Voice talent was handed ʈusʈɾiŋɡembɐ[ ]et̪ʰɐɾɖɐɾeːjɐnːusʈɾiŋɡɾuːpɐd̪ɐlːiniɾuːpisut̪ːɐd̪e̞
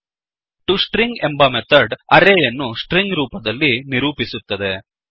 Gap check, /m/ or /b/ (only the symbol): m